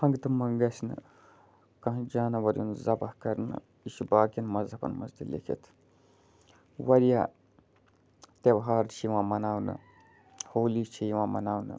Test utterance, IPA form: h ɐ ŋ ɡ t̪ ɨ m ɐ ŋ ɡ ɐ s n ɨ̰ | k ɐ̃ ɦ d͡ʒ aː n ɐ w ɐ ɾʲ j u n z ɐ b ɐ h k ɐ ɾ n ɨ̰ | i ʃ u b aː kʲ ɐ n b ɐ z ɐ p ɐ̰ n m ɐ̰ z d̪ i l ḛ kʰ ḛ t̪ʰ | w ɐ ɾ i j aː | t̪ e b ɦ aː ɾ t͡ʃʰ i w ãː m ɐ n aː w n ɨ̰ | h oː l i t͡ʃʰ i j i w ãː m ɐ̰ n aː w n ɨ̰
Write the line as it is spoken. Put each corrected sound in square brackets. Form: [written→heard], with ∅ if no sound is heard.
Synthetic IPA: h ɐ ŋ ɡ t̪ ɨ m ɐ ŋ ɡ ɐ s n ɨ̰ | k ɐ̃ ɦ d͡ʒ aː n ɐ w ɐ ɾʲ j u n z ɐ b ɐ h k ɐ ɾ n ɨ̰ | i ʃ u b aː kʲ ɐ n [b→m] ɐ z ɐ p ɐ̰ n m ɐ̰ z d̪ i l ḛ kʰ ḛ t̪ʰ | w ɐ ɾ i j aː | t̪ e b ɦ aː ɾ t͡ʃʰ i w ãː m ɐ n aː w n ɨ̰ | h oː l i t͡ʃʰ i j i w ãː m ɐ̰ n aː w n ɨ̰